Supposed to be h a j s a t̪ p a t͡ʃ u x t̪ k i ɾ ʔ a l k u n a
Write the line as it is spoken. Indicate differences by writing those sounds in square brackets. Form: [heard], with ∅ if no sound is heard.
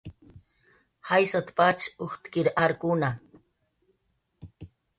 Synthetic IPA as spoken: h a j s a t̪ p a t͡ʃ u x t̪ k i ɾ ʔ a [ɾ] k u n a